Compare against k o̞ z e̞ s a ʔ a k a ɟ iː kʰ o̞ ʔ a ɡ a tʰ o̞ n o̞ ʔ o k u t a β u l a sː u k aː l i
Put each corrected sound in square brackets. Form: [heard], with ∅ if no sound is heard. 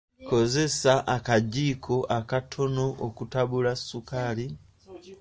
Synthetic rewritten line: k o̞ z e̞ s a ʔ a k a ɟ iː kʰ o̞ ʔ a [k] a tʰ o̞ n o̞ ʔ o k u t a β u l a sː u k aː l i